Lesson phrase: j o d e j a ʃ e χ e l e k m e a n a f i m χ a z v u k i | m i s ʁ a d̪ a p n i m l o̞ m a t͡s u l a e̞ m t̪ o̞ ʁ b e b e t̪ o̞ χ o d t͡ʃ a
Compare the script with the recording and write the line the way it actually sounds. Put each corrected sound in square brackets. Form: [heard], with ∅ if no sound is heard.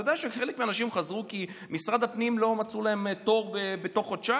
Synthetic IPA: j o d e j a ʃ e χ e l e k m e a n a [ʃ] i m χ a z [ʁ] u k i | m i s ʁ a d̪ a p n i m l o̞ m a t͡s u l a e̞ m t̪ o̞ ʁ b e b e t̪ o̞ χ o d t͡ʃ a